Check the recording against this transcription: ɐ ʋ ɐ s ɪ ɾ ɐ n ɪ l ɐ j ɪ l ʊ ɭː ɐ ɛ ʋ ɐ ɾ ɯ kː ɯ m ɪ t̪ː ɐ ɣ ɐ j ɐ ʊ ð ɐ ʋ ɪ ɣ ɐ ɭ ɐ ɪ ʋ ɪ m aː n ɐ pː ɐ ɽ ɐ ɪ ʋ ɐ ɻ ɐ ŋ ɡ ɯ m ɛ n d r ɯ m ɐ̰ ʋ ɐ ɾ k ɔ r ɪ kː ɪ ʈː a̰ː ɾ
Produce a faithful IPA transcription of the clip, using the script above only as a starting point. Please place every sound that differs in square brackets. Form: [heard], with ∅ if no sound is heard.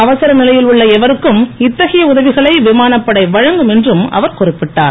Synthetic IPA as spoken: ɐ ʋ ɐ s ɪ ɾ ɐ n ɪ l ɐ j ɪ l ʊ ɭː ɐ ɛ ʋ ɐ ɾ ɯ kː ɯ m ɪ t̪ː ɐ ɣ ɐ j ɐ ʊ ð ɐ ʋ ɪ ɣ ɐ ɭ ɐ ɪ ʋ ɪ m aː n ɐ pː ɐ ɽ ɐ ɪ ʋ ɐ ɻ ɐ ŋ ɡ ɯ m ɛ n d r ɯ m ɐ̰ ʋ ɐ ɾ k ɔ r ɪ [pː] ɪ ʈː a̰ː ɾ